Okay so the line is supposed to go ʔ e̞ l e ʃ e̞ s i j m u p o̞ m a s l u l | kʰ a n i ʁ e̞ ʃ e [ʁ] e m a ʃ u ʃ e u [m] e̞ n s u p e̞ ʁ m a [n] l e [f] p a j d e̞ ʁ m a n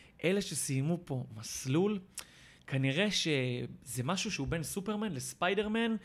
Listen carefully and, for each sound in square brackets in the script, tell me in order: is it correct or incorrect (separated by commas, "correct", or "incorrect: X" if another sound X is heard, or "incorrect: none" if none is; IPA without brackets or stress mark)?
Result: incorrect: z, incorrect: b, correct, incorrect: s